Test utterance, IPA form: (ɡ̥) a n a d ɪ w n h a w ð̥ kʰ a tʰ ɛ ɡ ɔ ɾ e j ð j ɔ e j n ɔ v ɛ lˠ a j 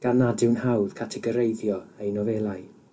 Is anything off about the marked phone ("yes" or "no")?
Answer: no